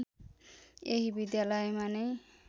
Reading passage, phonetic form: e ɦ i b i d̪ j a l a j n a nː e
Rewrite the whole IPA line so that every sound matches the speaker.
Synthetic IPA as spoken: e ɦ i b i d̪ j a l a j m a n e